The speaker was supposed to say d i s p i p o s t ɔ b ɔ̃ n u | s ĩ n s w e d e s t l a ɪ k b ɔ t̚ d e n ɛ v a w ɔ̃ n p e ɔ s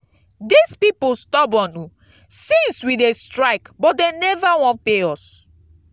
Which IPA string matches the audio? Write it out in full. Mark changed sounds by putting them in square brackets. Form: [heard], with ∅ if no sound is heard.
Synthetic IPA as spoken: d i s p i p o s t ɔ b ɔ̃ n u | s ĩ n s w [i] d e s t [ɹ] a ɪ k b ɔ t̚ d e n ɛ v a w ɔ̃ n p e ɔ s